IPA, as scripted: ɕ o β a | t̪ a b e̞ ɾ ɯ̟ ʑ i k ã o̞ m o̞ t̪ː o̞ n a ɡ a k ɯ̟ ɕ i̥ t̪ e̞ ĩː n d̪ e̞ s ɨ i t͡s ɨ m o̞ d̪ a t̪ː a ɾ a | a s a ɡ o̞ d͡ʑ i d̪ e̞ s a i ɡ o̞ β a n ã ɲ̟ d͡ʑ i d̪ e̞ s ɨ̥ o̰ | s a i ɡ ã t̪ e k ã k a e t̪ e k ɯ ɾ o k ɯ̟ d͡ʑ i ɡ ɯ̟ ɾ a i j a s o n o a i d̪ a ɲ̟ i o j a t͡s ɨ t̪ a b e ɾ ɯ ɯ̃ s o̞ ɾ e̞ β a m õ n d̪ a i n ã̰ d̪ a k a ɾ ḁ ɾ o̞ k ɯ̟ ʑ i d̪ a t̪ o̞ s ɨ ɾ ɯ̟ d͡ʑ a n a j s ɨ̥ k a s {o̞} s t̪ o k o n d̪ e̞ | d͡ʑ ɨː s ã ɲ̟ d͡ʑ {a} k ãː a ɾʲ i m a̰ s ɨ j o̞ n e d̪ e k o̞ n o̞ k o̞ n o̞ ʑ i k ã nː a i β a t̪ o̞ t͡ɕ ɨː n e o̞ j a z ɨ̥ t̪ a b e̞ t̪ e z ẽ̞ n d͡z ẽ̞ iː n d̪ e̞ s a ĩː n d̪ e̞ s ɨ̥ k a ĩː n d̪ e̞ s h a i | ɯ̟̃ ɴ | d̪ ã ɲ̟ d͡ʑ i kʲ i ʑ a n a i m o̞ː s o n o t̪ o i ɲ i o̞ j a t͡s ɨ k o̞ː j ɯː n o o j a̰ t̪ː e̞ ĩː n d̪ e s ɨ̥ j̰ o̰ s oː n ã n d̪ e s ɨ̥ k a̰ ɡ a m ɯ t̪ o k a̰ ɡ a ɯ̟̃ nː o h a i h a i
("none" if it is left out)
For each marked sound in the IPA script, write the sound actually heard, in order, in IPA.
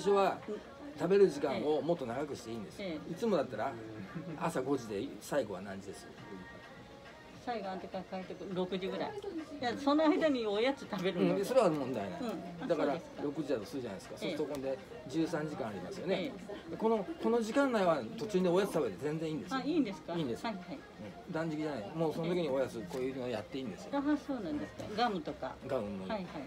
o̞, i

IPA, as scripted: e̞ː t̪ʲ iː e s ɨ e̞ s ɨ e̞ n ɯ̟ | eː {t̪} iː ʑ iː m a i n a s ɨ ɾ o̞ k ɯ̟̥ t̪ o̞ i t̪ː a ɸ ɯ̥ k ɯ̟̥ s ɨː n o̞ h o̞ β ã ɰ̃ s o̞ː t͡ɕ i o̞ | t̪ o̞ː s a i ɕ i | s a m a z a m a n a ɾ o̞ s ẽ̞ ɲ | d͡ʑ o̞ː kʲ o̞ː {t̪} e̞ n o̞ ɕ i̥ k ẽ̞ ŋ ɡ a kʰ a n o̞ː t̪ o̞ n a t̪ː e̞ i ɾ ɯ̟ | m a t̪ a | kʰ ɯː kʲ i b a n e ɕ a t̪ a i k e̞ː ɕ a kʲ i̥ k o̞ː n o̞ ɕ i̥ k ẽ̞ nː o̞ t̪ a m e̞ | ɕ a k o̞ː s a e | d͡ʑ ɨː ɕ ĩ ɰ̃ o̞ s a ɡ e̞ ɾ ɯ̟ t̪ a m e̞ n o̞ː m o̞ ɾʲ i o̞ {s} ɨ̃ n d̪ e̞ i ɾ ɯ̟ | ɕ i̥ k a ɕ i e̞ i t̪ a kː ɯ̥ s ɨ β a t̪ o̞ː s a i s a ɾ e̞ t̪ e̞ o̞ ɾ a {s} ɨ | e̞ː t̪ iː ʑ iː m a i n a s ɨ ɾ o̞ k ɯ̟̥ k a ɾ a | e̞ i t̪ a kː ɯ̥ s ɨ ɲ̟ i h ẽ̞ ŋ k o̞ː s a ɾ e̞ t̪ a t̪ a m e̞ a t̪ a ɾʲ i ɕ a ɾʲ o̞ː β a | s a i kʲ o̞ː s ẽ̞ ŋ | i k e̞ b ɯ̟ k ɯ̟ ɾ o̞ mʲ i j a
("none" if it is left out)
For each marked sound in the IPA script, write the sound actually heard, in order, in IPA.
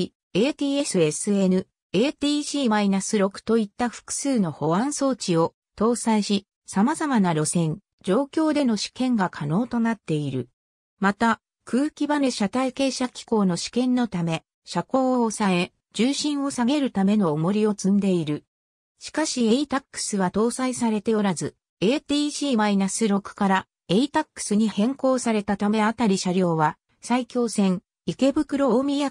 t̪, d̪, t͡s, z

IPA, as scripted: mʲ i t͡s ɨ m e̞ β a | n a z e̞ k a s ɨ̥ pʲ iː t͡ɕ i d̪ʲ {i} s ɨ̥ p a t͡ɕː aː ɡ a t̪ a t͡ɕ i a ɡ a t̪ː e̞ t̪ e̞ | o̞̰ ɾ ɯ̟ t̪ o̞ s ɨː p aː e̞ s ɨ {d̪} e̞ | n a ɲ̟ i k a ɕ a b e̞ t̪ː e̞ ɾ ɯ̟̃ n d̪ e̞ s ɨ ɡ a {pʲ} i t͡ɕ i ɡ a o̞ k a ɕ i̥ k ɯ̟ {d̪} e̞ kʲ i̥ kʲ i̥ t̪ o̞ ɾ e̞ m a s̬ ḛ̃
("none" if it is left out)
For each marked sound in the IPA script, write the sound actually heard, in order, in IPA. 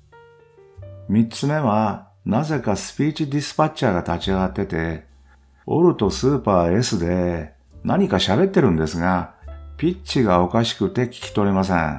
i, d̪, pʲ, t̪

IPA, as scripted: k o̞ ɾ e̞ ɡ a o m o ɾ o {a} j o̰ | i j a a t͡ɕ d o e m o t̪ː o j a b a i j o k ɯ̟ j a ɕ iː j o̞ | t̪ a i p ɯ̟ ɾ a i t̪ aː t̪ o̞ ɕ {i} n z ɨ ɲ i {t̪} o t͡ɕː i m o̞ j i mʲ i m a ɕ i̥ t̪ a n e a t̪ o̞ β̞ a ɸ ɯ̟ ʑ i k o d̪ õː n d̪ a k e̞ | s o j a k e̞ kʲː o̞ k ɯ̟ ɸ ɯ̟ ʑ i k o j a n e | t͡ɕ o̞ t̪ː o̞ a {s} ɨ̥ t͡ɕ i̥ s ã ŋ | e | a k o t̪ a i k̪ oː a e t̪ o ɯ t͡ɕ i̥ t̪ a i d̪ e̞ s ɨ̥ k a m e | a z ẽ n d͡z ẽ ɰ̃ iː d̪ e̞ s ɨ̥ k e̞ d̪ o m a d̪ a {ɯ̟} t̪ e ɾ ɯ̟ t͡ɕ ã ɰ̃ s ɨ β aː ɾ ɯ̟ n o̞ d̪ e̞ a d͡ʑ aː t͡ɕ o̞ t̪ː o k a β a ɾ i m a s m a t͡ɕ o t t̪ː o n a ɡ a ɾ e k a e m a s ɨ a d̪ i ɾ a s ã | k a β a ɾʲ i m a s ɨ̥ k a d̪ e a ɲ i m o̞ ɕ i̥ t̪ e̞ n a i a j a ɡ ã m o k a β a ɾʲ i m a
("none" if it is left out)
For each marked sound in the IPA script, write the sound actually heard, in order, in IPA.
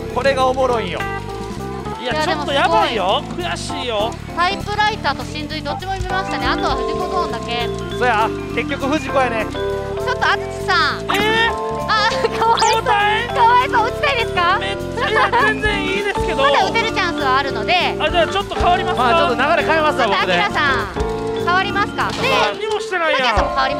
i, ĩ, d̪, t͡s, ɯ̟

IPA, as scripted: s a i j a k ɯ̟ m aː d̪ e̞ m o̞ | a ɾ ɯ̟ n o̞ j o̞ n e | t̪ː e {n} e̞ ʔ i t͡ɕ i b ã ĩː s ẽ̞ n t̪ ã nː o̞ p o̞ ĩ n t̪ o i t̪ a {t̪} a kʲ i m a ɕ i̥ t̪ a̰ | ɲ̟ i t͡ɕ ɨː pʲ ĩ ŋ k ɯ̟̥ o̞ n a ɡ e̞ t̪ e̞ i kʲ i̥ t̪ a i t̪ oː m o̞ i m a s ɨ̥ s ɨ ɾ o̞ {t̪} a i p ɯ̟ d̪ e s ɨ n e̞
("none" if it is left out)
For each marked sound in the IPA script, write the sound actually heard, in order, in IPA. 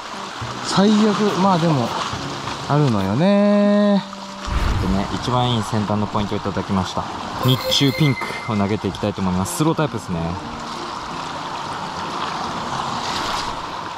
n, d̪, t̪

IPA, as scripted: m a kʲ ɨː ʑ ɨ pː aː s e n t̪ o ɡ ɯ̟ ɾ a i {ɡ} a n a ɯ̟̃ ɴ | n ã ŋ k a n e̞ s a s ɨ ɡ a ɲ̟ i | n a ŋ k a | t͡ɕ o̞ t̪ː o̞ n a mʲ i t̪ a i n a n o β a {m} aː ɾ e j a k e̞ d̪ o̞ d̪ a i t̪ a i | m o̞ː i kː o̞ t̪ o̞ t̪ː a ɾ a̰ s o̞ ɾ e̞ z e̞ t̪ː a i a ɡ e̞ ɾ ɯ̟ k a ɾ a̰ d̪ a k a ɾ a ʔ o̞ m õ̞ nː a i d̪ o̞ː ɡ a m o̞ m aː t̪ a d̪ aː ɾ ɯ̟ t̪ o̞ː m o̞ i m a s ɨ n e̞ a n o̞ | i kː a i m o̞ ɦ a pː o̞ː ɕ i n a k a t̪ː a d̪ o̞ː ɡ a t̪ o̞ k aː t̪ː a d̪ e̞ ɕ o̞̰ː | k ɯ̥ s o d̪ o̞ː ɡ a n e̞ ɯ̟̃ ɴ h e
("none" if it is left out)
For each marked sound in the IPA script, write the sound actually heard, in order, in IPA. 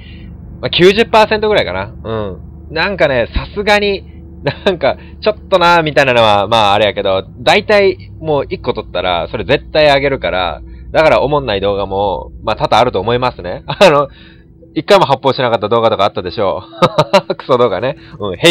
k, m

